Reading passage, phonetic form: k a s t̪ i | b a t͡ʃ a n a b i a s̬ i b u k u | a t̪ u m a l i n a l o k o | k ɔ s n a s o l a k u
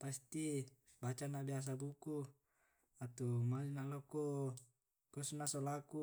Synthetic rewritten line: p a s t̪ i | b a t͡ʃ a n a b i a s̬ a b u k u | a t̪ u m a l i n a l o k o | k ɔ s n a s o l a k u